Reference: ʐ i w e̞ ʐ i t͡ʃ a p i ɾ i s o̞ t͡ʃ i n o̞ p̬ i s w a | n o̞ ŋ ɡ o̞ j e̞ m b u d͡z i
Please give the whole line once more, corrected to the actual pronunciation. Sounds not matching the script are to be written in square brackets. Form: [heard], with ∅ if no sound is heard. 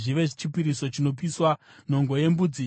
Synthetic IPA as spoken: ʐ i [ʋ] e̞ ʐ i t͡ʃ [i] p i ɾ i s o̞ t͡ʃ i n o̞ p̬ i s w a | n o̞ ŋ ɡ o̞ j e̞ m b u d͡z i